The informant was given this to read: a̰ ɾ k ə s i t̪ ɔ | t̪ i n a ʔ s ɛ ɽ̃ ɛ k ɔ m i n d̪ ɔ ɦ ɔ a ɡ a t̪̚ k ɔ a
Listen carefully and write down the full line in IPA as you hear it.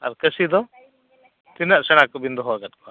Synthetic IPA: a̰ ɾ k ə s i d̪ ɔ | t̪ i n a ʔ s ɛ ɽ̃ a k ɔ b i n d̪ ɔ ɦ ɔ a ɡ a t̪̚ k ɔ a